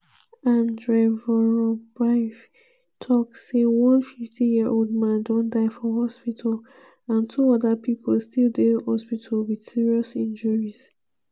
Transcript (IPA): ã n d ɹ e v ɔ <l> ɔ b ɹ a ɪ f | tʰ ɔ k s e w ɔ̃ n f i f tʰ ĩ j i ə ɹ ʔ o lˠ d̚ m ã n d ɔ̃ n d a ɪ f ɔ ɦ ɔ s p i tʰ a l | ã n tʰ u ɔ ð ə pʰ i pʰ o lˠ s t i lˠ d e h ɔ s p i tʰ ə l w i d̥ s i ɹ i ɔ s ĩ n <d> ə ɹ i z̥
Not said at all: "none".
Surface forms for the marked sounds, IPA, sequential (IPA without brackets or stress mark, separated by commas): ɹ, d͡ʒ